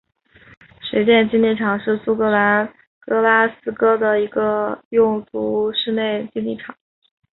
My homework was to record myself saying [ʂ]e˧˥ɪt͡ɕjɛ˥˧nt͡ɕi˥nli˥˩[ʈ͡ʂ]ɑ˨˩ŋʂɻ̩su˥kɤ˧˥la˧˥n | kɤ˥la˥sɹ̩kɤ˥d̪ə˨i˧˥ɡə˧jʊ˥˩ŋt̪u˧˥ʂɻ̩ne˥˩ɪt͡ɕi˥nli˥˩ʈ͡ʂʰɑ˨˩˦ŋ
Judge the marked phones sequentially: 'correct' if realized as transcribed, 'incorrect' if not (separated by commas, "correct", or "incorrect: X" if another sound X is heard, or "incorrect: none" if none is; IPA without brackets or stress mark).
correct, incorrect: ʈ͡ʂʰ